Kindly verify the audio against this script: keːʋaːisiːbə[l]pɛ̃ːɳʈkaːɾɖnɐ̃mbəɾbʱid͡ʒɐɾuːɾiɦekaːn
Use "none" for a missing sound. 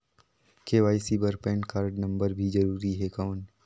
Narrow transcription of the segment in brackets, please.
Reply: ɾ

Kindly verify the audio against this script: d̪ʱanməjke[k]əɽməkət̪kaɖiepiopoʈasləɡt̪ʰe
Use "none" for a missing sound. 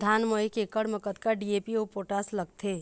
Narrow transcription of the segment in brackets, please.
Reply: k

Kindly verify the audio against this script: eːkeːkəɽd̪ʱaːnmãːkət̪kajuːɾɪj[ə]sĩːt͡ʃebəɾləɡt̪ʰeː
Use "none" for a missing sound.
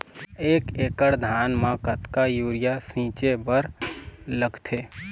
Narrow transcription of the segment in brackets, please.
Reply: a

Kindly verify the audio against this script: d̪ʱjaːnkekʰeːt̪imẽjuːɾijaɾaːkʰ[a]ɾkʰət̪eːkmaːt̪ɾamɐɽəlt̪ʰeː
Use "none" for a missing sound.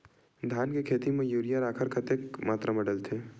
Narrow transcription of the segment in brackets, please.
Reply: ə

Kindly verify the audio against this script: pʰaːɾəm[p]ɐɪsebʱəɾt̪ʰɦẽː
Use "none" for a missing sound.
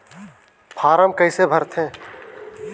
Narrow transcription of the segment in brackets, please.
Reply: k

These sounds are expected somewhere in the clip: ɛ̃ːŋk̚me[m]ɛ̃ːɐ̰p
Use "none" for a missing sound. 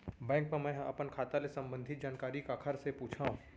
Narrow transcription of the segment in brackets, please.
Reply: m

